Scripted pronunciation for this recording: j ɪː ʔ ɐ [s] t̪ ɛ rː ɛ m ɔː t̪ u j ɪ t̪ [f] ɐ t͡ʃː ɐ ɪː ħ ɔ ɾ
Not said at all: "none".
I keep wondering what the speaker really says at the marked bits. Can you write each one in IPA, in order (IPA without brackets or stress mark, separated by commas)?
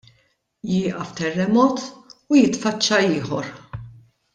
f, f